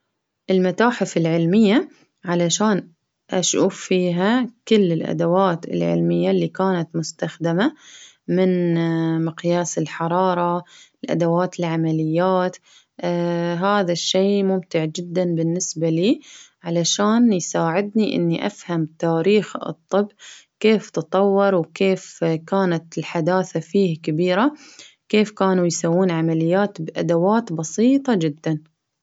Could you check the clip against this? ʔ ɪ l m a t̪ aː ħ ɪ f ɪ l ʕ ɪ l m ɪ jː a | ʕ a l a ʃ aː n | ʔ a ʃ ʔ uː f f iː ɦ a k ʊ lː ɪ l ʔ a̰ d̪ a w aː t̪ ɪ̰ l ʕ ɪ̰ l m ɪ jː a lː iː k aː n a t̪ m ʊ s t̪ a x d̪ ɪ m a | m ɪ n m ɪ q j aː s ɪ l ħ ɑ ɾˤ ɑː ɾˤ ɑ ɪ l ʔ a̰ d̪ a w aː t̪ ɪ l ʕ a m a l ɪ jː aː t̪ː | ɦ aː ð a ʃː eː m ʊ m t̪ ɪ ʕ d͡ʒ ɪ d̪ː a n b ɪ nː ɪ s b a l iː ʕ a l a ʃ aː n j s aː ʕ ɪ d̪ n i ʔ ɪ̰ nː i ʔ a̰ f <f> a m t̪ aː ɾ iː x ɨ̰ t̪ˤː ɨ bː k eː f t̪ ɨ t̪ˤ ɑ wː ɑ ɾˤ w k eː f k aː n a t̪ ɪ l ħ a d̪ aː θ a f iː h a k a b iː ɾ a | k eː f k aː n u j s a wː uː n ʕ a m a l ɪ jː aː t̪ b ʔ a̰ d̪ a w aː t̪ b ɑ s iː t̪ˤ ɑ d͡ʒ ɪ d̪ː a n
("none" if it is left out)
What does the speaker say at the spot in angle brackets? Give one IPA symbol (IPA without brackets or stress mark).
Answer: h